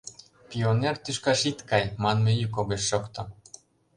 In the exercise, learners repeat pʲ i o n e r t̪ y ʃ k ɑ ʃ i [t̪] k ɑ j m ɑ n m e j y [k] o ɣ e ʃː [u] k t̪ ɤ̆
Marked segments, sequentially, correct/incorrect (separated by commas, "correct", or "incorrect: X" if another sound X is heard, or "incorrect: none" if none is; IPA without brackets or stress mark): correct, correct, incorrect: o